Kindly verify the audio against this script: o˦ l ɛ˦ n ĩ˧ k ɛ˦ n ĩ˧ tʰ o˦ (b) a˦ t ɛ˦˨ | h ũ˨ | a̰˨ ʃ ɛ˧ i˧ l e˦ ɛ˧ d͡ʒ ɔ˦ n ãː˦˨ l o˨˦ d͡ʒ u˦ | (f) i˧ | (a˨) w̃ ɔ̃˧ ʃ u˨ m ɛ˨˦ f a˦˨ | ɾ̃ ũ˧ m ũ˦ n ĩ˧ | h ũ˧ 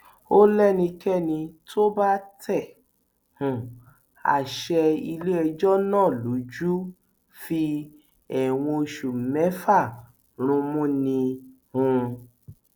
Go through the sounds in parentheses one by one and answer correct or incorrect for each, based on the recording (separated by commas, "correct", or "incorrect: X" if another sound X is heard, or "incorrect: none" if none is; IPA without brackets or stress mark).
correct, correct, incorrect: ɛ˨